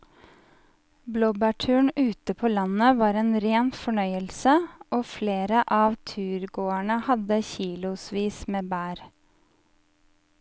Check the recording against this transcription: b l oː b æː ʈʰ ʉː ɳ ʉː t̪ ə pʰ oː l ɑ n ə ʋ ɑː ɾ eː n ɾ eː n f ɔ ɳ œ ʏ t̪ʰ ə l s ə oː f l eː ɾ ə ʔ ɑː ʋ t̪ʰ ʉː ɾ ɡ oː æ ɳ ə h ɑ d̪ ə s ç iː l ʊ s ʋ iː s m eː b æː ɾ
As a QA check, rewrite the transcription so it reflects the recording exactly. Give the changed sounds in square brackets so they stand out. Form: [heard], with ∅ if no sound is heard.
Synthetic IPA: b l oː b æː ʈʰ ʉː ɳ ʉː t̪ ə pʰ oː l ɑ n ə ʋ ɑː ɾ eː n ɾ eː n f ɔ ɳ œ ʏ [∅] ə l s ə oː f l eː ɾ ə ʔ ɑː ʋ t̪ʰ ʉː ɾ ɡ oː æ ɳ ə h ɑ d̪ ə [∅] ç iː l ʊ s ʋ iː s m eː b æː ɾ